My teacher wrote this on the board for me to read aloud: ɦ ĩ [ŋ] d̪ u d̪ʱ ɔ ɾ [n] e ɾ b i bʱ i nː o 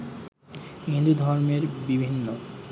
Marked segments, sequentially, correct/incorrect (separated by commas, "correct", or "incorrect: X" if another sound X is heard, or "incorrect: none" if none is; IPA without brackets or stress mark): incorrect: n, incorrect: m